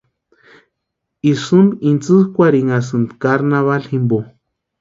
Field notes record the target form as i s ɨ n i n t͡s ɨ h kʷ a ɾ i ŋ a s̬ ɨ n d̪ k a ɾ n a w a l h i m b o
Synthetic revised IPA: i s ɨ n i n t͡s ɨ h kʷ a ɾ i ŋ a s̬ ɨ n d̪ k a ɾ n a β a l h i m b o